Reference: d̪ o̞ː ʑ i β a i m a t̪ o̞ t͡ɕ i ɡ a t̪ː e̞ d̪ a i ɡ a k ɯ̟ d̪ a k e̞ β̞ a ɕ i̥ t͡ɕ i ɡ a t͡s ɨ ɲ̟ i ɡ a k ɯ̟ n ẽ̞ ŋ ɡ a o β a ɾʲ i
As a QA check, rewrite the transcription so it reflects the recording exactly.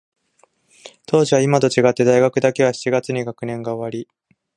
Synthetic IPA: t̪ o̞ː ʑ i β a i m a t̪ o̞ t͡ɕ i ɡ a t̪ː e̞ d̪ a i ɡ a k ɯ̟ d̪ a k e̞ β̞ a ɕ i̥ t͡ɕ i ɡ a t͡s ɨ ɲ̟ i ɡ a k ɯ̟ n ẽ̞ ŋ ɡ a o β a ɾʲ i